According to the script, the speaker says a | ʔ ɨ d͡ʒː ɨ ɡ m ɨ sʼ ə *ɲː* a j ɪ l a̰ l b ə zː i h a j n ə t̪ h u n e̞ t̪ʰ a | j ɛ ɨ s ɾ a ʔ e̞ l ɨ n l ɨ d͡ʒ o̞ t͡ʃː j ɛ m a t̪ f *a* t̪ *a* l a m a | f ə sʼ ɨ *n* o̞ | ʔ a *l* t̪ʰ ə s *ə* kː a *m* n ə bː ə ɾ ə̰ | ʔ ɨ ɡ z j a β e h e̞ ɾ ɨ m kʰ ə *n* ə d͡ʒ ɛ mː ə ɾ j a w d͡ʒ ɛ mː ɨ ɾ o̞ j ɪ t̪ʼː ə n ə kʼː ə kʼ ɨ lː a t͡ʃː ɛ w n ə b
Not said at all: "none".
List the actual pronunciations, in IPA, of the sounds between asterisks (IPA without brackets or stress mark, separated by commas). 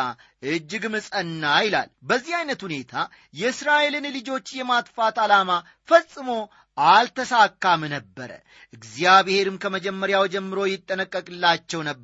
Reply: nː, a, a, m, l, a, m, m